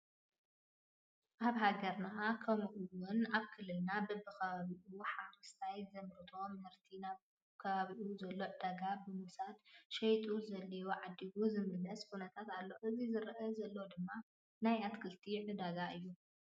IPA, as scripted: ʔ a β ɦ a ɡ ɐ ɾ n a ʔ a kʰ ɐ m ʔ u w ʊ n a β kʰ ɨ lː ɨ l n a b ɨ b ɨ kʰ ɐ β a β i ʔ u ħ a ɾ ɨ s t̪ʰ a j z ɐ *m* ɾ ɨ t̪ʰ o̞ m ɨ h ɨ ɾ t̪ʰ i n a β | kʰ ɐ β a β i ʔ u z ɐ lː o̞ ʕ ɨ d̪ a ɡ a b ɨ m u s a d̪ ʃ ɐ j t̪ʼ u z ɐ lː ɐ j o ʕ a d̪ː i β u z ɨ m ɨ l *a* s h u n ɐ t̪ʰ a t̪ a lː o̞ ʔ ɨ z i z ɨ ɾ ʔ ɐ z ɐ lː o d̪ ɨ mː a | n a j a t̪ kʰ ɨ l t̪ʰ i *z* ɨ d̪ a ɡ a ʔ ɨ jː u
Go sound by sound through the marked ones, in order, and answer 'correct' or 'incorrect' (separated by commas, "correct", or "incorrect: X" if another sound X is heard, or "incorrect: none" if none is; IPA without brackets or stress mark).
correct, incorrect: ɐ, incorrect: ʕ